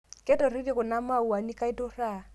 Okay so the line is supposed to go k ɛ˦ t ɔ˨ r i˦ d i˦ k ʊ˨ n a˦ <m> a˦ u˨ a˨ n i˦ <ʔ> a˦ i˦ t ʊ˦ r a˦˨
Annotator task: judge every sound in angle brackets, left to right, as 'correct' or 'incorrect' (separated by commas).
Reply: correct, incorrect